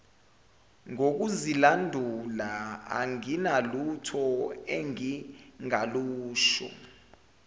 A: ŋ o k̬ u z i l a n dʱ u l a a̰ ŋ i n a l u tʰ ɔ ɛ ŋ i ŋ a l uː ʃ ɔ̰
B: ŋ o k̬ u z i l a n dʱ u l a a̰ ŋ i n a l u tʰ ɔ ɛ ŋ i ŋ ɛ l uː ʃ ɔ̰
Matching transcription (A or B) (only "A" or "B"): A